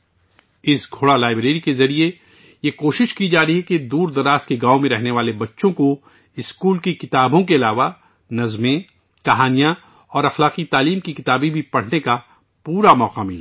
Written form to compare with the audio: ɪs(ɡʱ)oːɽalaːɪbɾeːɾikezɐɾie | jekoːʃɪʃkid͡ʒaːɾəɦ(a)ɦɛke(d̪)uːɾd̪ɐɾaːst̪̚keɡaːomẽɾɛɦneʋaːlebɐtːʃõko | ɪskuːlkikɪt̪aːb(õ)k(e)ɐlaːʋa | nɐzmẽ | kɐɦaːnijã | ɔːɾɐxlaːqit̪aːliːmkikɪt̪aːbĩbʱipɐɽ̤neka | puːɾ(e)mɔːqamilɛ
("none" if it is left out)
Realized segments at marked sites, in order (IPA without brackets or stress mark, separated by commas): ɡʱ, i, d̪, õ, e, a